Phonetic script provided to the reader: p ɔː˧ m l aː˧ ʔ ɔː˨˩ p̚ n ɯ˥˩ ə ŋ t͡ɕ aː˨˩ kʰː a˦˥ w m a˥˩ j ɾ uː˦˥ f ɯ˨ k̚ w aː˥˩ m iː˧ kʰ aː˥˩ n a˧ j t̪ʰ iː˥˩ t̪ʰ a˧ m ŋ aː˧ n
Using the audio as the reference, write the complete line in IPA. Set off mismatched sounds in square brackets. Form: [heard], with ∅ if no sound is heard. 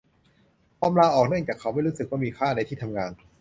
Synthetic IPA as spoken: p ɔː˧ m l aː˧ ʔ ɔː˨˩ [k̚] n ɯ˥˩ ə ŋ t͡ɕ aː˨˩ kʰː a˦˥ w m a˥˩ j ɾ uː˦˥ [s] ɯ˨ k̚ w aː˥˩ m iː˧ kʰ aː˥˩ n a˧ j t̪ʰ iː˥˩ t̪ʰ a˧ m ŋ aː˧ n